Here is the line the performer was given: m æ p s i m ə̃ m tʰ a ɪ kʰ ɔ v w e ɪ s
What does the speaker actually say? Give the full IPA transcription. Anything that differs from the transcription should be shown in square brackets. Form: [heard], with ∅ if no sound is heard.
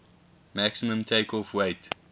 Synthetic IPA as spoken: m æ [k] s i m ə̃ m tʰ [e] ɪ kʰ ɔ [f] w e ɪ [t]